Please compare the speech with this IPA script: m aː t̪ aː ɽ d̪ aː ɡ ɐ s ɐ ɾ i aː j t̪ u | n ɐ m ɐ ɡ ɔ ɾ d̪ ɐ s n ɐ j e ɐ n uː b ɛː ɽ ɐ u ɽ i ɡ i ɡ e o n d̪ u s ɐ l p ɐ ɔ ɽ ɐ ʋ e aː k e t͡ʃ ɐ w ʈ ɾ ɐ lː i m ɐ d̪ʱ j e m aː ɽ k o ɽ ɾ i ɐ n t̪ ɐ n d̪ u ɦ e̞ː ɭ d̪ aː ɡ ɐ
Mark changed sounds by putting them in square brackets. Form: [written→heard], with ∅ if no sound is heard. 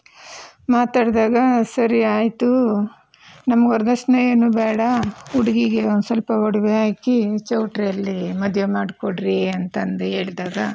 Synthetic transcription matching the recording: m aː t̪ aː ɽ d̪ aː ɡ ɐ s ɐ ɾ i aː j t̪ u | n ɐ m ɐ ɡ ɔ ɾ d̪ ɐ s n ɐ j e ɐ n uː b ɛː ɽ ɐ u ɽ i ɡ i ɡ e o n d̪ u s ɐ l p ɐ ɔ ɽ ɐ ʋ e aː k [e→i] t͡ʃ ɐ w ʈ ɾ ɐ lː i m ɐ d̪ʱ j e m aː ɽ k o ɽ ɾ i ɐ n t̪ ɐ n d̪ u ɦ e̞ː ɭ d̪ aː ɡ ɐ

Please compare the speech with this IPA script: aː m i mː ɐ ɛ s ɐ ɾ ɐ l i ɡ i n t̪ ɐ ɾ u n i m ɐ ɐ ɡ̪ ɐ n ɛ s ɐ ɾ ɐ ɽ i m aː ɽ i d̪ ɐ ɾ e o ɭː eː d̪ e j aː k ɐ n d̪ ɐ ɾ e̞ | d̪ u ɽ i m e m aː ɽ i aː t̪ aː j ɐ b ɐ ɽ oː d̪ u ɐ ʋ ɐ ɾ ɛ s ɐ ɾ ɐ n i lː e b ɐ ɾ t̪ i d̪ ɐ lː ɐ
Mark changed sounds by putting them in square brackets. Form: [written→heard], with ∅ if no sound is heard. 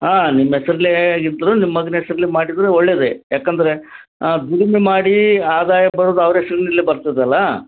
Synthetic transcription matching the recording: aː [m→n] i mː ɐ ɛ s ɐ ɾ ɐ l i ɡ i n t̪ ɐ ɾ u n i m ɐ ɐ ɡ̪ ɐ n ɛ s ɐ ɾ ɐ [ɽ→l] i m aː ɽ i d̪ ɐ ɾ e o ɭː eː d̪ e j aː k ɐ n d̪ ɐ ɾ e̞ | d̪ u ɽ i m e m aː ɽ i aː [t̪→d̪] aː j ɐ b ɐ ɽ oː d̪ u ɐ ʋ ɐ ɾ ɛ s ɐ ɾ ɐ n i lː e b ɐ ɾ t̪ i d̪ ɐ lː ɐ

